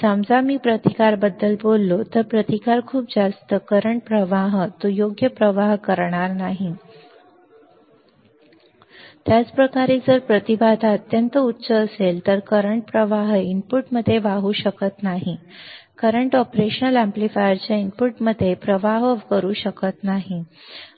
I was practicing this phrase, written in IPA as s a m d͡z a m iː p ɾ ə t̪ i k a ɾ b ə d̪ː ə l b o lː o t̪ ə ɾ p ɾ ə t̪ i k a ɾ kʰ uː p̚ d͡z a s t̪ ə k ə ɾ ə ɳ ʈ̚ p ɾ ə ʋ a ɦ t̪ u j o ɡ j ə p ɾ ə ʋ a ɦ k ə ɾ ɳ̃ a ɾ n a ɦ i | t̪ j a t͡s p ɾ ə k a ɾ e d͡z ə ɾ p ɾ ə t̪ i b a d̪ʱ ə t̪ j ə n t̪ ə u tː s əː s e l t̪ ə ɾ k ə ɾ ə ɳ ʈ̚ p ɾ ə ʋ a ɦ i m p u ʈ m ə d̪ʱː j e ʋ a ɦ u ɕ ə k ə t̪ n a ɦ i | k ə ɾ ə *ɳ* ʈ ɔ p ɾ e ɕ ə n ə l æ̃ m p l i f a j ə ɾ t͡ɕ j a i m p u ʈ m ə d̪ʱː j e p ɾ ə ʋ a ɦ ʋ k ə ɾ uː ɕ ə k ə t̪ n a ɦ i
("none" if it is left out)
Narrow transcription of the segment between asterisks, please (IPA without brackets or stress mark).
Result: ɳ